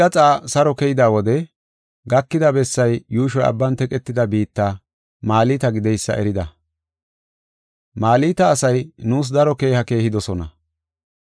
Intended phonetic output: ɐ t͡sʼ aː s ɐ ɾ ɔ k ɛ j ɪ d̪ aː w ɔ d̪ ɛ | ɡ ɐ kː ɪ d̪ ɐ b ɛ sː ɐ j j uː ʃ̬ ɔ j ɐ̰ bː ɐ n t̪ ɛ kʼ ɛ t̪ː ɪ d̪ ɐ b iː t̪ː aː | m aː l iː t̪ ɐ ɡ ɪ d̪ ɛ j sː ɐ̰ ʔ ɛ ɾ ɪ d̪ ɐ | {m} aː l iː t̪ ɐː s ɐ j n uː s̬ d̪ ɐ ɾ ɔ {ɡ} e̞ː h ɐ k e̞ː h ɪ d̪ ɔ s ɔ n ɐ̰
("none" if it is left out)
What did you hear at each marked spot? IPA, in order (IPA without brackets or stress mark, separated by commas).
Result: m, k